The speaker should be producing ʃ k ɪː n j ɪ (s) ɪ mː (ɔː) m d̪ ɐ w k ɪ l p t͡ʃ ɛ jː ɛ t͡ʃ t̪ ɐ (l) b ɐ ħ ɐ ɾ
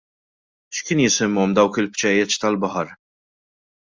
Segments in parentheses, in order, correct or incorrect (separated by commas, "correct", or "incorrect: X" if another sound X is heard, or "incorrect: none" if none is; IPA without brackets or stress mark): correct, incorrect: ɔ, correct